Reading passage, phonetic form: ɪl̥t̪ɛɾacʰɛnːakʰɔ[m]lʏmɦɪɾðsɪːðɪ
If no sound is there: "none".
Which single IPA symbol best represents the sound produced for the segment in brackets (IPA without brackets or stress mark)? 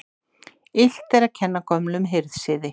m